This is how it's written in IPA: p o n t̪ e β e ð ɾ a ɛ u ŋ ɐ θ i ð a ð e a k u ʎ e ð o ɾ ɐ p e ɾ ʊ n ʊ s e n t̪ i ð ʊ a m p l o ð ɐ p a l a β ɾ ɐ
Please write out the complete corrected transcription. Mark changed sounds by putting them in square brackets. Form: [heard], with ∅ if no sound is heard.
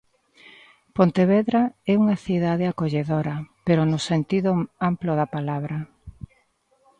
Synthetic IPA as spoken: p o n t̪ e β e ð ɾ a ɛ u ŋ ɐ θ i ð a ð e a k [o] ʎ e ð o ɾ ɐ p e ɾ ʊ n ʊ s e n t̪ i ð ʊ a m p l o ð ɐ p a l a β ɾ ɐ